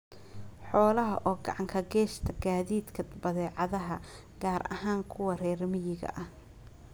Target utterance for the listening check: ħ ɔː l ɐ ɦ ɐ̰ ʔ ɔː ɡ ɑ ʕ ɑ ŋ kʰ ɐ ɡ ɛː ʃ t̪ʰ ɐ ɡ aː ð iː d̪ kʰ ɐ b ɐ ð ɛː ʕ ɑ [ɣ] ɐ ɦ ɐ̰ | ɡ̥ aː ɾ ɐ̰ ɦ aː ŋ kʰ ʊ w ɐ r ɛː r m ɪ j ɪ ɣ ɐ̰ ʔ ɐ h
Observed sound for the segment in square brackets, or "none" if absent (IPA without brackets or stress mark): ð